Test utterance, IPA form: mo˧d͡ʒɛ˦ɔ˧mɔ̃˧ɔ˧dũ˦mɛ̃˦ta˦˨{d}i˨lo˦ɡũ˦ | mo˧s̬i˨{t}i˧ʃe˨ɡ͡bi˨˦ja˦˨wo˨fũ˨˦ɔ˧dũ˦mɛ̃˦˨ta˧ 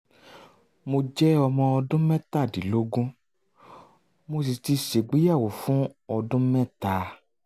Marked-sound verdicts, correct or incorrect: correct, correct

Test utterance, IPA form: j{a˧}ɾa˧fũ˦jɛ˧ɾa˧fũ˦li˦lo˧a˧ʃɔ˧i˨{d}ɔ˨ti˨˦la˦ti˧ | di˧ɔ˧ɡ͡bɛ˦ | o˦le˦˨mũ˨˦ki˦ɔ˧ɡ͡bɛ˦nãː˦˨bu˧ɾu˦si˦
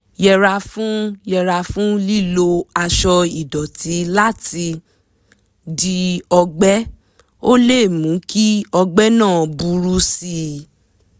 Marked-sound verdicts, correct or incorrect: incorrect, correct

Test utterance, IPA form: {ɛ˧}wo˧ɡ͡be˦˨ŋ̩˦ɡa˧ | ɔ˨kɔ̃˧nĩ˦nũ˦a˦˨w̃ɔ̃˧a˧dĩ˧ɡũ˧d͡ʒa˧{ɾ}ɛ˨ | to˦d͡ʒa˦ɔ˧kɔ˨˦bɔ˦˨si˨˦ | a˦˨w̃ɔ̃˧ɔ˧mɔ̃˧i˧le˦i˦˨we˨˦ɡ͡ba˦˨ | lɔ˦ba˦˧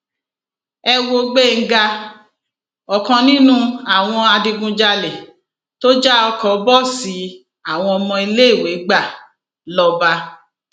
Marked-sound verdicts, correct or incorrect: correct, incorrect

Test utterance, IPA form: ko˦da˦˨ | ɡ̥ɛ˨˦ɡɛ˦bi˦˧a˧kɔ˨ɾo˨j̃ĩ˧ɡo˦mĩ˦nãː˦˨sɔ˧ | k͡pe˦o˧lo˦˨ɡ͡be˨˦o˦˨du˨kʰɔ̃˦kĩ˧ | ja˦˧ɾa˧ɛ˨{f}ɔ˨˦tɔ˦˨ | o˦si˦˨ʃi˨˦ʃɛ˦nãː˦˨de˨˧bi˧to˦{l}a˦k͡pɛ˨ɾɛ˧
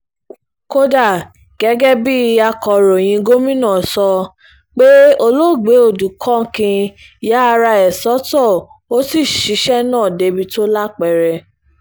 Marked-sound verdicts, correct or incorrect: incorrect, correct

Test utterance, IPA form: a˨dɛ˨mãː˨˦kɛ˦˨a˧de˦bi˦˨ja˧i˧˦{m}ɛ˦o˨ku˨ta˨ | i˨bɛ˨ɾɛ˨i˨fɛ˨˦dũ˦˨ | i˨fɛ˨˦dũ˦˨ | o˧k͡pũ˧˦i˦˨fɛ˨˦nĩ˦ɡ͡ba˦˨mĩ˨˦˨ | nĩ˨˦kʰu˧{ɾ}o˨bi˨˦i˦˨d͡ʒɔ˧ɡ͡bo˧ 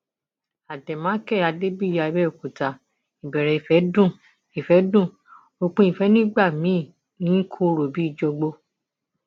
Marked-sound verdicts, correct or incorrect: incorrect, correct

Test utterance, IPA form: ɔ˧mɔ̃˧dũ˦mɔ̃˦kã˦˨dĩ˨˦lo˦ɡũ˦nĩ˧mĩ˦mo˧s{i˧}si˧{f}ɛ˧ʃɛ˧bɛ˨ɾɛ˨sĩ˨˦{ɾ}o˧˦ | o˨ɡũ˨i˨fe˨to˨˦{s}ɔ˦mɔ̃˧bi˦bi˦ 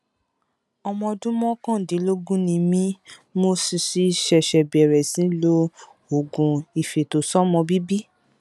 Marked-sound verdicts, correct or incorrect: correct, incorrect, incorrect, correct

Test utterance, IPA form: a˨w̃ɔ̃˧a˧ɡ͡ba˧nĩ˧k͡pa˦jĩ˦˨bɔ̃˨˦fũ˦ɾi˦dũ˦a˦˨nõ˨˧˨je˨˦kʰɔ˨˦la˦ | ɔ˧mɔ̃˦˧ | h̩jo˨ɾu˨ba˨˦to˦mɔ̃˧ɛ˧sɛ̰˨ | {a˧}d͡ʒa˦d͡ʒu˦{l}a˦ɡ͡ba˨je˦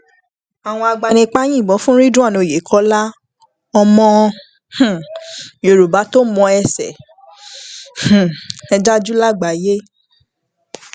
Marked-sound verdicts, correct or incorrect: incorrect, correct

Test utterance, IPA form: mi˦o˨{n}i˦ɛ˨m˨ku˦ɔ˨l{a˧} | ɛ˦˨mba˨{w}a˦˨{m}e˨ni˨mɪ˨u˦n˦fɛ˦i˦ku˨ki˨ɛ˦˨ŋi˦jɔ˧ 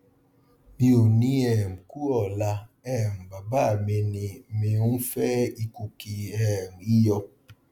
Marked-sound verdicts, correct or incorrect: correct, correct, incorrect, correct

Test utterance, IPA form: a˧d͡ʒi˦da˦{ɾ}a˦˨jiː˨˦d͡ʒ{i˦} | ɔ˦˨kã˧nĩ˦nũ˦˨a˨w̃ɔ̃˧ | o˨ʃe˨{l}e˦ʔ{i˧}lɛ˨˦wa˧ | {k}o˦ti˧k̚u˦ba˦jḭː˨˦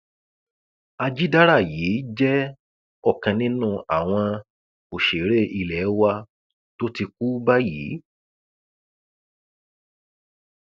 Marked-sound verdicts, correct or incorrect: correct, incorrect, incorrect, correct, incorrect

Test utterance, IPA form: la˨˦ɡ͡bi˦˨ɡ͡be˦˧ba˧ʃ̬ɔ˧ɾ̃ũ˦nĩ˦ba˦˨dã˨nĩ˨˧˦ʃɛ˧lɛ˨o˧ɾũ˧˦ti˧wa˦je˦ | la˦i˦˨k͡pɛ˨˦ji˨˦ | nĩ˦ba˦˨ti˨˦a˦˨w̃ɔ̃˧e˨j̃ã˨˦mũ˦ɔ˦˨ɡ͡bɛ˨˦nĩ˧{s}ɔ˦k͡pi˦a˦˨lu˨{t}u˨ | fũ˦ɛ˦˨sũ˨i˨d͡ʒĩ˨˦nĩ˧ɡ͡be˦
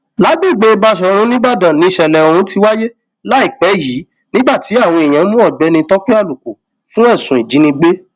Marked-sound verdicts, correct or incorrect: incorrect, incorrect

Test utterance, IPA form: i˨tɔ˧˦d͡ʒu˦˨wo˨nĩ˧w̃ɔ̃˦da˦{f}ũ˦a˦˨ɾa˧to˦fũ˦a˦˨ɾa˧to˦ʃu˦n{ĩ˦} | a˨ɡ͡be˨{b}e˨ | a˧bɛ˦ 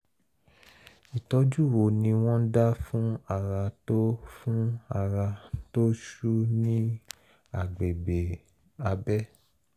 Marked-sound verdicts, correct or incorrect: correct, correct, correct

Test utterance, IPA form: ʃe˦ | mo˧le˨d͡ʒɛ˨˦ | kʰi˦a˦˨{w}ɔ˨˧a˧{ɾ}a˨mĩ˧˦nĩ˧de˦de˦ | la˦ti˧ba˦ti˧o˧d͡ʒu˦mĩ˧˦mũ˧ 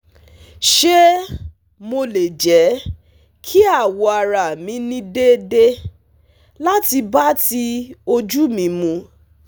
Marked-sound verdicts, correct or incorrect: correct, correct

